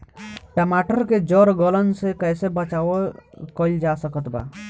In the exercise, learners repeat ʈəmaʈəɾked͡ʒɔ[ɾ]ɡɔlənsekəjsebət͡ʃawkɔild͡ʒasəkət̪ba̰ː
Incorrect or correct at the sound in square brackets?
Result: correct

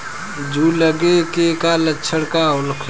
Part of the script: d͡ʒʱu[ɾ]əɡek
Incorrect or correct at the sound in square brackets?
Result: incorrect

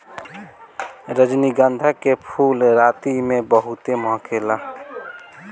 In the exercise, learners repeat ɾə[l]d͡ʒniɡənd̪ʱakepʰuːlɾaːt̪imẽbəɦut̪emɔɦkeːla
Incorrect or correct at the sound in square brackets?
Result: incorrect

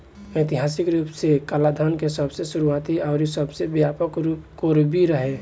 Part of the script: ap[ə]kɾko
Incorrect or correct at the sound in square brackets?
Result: correct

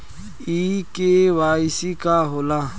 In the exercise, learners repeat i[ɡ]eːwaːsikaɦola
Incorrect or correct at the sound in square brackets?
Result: incorrect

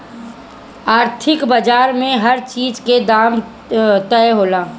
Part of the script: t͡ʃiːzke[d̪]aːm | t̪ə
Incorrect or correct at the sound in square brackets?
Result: correct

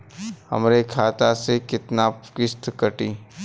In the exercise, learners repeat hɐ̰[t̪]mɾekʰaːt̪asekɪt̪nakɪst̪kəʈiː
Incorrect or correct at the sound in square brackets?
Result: incorrect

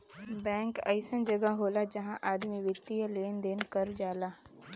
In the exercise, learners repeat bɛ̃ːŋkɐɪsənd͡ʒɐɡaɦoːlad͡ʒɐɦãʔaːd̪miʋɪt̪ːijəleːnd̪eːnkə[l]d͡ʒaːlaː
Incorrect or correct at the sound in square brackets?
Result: incorrect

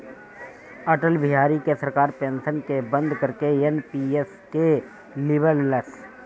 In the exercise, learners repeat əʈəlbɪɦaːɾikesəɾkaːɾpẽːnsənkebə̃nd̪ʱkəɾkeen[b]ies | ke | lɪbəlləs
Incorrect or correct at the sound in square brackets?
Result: incorrect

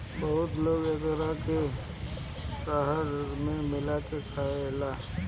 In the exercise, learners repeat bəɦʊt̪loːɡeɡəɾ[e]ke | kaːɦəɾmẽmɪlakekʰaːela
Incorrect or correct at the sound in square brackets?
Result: incorrect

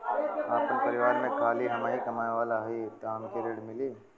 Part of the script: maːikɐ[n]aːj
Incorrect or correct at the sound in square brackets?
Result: incorrect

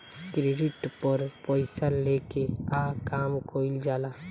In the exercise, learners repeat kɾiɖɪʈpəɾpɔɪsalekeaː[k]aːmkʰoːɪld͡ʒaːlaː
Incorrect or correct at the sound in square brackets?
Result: correct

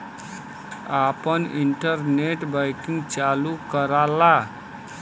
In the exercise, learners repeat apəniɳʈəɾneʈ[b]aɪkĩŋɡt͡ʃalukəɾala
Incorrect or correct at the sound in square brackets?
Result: correct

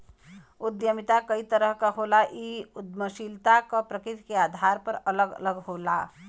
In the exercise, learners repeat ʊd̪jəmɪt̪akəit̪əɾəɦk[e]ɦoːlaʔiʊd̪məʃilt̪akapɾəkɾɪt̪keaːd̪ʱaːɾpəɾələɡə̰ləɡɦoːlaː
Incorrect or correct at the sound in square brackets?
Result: incorrect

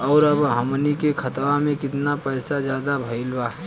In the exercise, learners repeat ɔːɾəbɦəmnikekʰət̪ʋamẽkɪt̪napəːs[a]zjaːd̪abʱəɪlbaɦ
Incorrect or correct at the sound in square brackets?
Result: correct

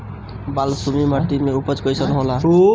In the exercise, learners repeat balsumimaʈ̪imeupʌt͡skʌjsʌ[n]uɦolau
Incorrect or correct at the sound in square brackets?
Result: correct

